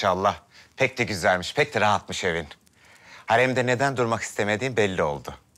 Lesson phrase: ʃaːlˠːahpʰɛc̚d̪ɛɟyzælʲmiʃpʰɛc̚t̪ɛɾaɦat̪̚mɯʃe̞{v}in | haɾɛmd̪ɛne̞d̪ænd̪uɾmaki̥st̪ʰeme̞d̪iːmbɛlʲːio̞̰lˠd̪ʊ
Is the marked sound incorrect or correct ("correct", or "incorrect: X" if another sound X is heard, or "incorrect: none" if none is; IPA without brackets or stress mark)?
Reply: correct